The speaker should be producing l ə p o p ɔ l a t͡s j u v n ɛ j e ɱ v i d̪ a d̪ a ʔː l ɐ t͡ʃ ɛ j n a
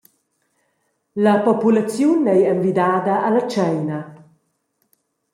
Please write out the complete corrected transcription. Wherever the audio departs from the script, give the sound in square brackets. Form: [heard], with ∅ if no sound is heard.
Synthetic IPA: l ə p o p [u] l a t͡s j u [∅] n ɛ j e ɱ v i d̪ a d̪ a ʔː l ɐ t͡ʃ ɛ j n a